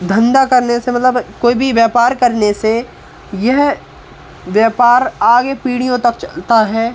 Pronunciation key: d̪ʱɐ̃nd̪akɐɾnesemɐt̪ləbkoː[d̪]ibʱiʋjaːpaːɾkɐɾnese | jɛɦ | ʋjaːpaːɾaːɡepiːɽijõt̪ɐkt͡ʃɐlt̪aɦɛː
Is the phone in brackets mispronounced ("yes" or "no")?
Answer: yes